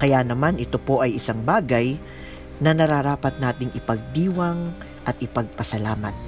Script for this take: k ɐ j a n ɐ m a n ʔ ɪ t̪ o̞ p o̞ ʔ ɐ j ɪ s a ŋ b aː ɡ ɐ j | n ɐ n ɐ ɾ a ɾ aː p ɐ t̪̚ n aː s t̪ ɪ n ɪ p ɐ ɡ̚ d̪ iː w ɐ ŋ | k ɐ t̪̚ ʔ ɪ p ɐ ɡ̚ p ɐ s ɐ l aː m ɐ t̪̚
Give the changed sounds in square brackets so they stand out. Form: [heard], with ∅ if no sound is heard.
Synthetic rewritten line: k ɐ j a n ɐ m a n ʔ ɪ t̪ o̞ p o̞ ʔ ɐ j ɪ s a ŋ b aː ɡ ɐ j | n ɐ n ɐ ɾ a ɾ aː p ɐ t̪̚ n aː [∅] t̪ ɪ [ŋ] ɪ p ɐ ɡ̚ d̪ iː w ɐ ŋ | [ʔ] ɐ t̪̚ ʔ ɪ p ɐ ɡ̚ p ɐ s ɐ l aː m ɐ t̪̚